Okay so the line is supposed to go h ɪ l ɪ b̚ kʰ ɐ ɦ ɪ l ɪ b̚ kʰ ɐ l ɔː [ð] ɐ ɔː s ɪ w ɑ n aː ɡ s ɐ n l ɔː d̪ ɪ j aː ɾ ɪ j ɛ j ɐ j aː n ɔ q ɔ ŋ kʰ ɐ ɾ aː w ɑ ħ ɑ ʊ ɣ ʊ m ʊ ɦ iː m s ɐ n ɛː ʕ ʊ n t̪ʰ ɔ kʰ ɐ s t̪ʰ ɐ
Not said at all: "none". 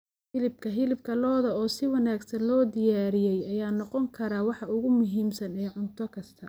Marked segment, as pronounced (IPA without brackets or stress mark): ð